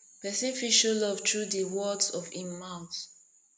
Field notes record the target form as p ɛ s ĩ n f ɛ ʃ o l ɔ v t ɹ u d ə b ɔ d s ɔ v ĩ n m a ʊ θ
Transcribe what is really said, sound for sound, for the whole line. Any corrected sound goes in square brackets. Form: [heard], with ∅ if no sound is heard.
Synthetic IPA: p ɛ s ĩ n f [i] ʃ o l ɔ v t ɹ u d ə [w] ɔ d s ɔ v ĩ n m a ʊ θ